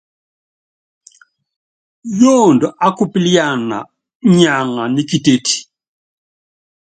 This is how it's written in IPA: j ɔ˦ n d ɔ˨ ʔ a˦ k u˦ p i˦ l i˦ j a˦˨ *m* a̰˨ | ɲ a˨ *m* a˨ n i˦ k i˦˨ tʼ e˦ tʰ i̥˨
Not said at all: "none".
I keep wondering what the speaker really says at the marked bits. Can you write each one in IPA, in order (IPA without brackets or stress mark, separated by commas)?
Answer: n, ŋ